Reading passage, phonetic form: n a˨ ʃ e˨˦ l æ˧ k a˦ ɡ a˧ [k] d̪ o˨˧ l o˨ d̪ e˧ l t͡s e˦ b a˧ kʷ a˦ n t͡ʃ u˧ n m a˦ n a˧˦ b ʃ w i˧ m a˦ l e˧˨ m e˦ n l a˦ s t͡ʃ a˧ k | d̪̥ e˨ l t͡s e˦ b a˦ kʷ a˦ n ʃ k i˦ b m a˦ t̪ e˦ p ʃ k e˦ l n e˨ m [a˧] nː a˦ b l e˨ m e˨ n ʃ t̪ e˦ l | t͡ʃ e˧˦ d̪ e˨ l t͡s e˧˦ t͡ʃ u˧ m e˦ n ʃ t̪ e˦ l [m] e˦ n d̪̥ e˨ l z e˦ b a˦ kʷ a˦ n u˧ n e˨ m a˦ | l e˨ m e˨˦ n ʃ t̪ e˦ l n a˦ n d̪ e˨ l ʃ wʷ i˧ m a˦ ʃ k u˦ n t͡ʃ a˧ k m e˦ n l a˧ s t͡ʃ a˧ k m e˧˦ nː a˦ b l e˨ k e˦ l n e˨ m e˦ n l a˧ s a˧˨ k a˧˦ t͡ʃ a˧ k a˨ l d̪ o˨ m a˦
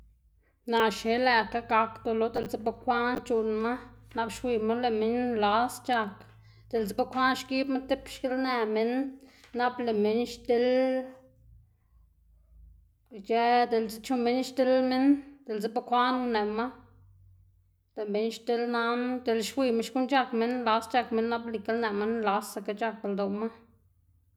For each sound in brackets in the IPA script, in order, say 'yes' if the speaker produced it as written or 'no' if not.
yes, no, yes

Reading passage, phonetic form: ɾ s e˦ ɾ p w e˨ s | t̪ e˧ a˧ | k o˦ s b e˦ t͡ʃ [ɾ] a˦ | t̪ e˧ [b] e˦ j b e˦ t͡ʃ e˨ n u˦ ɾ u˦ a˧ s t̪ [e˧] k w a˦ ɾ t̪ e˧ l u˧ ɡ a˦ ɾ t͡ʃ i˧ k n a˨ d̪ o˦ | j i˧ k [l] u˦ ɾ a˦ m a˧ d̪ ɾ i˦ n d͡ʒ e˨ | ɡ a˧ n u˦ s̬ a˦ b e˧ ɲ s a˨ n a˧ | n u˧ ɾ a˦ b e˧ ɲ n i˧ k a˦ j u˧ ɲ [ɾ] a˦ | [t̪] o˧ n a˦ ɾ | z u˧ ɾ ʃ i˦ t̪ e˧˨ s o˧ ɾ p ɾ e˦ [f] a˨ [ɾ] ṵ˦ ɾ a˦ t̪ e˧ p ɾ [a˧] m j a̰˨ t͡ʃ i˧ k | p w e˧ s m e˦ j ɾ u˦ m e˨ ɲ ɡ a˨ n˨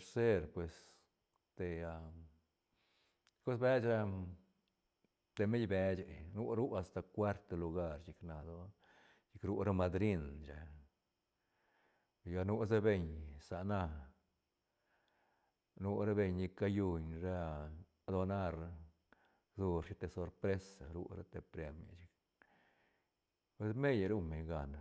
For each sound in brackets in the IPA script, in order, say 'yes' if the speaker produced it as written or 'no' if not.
yes, no, no, no, yes, no, no, yes, no

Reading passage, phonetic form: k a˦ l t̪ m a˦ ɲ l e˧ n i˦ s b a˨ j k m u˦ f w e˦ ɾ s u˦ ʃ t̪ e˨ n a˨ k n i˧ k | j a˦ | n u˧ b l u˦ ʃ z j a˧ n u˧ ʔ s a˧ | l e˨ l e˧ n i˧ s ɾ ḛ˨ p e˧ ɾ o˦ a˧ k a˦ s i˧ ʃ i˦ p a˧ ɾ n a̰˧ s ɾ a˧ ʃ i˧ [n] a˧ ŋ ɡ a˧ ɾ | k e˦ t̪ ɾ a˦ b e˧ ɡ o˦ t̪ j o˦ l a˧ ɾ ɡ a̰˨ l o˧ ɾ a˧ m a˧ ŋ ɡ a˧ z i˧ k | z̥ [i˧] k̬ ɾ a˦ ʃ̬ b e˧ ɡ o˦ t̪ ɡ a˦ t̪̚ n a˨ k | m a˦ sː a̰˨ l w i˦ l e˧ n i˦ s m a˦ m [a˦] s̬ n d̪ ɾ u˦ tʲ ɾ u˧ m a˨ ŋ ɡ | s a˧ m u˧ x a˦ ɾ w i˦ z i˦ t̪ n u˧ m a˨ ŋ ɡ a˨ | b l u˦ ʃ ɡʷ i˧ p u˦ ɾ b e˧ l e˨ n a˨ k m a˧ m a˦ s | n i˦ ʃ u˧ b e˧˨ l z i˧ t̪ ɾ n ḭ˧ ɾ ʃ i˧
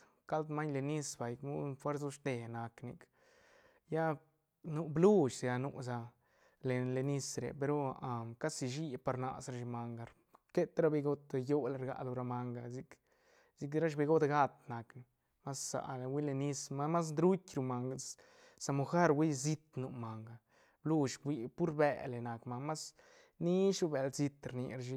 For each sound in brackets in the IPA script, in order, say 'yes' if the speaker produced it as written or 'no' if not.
no, yes, yes

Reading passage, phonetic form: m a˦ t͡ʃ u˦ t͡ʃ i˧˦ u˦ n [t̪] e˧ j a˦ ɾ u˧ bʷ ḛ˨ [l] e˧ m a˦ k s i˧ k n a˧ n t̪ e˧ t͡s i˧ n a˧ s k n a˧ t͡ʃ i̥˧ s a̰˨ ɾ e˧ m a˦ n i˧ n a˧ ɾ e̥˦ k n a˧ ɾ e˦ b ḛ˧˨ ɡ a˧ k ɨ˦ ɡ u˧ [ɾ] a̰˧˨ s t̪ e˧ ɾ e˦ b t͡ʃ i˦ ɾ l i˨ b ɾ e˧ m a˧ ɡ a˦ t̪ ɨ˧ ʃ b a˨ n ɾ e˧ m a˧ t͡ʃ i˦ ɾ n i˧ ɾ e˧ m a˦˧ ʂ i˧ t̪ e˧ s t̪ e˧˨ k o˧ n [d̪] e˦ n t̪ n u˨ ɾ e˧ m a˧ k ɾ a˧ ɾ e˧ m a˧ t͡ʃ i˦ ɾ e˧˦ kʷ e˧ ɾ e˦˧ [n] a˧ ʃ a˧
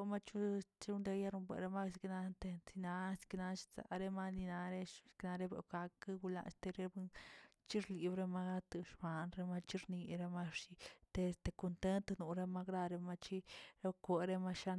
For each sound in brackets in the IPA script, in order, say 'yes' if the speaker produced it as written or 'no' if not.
no, no, no, no, no

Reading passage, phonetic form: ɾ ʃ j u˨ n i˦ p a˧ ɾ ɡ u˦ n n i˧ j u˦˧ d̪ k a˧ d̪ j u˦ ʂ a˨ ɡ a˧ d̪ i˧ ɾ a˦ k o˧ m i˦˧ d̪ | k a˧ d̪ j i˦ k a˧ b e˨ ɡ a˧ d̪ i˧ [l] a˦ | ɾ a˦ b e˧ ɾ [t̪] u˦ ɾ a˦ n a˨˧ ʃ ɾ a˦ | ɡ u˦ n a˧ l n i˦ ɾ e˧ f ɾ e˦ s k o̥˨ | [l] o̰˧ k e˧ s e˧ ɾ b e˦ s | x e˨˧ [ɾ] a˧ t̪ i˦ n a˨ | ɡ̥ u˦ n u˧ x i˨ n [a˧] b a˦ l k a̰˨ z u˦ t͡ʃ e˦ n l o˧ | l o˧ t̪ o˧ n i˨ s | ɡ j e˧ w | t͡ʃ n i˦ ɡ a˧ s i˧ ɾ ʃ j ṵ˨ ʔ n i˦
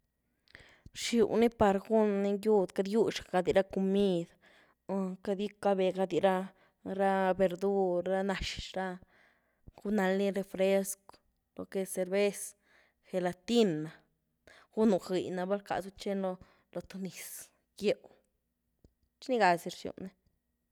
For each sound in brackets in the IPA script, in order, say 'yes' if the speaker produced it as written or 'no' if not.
no, no, yes, no, yes

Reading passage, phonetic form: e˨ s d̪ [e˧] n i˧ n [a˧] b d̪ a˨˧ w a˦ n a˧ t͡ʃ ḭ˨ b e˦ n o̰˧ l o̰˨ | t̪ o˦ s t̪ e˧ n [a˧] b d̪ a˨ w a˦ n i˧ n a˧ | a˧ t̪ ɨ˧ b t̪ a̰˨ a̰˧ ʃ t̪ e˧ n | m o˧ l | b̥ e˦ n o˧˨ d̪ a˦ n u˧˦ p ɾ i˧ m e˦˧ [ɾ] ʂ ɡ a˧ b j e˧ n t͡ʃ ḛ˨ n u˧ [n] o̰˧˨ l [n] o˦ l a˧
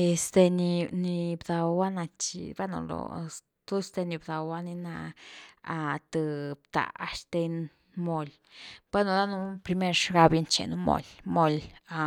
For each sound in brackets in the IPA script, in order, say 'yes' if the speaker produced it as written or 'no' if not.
yes, no, no, yes, no, no

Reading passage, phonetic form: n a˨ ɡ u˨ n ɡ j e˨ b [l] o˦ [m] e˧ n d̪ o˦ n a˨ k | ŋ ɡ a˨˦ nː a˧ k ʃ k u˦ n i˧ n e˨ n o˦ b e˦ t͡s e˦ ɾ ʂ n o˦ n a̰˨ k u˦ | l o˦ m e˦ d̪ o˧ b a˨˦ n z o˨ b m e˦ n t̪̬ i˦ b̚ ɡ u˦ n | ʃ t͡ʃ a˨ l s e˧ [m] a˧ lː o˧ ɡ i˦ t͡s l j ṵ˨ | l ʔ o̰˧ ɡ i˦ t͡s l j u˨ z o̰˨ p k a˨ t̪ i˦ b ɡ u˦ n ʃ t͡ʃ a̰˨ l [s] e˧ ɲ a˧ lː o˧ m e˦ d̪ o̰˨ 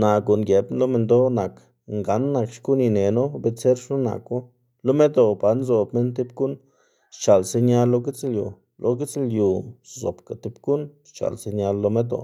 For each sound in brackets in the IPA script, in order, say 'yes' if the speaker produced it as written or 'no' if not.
yes, yes, no, yes

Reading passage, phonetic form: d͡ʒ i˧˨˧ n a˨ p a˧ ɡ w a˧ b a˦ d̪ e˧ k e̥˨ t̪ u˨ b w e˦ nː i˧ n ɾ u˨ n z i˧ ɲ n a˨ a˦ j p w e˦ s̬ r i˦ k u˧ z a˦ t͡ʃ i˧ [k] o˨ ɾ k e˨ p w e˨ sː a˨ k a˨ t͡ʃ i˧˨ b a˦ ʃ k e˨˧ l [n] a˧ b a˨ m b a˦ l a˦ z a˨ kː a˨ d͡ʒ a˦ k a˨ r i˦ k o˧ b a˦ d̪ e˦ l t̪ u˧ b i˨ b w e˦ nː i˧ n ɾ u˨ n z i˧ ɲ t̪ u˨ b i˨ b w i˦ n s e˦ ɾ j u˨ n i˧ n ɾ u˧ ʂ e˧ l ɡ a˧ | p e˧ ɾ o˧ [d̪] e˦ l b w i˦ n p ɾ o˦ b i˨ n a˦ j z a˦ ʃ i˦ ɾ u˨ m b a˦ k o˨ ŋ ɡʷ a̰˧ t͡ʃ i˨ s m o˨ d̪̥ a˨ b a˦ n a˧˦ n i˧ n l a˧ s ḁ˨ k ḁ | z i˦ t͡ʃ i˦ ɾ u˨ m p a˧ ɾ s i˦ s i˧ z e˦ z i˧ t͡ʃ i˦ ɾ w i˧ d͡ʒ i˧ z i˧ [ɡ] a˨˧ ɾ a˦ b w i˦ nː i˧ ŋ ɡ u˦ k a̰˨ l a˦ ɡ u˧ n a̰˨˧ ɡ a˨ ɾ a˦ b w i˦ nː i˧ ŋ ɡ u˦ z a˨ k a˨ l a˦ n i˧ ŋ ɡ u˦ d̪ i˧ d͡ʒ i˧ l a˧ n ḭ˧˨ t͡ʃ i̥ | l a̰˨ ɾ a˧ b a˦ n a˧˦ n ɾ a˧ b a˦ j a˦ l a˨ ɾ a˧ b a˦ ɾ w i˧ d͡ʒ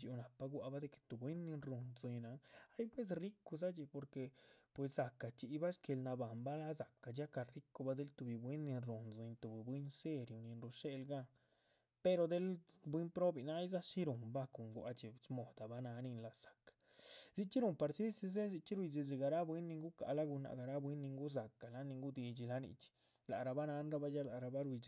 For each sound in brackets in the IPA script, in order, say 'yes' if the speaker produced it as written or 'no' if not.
no, yes, yes, yes

